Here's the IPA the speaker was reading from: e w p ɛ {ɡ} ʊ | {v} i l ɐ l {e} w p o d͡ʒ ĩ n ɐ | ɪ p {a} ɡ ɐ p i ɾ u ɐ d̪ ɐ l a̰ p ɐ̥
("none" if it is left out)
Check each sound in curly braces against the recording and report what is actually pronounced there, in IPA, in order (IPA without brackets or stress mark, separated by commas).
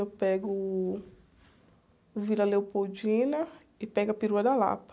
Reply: ɡ, v, e, ɛ